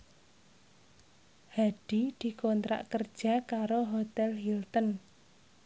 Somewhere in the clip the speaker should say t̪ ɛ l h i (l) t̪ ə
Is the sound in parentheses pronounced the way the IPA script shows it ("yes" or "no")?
yes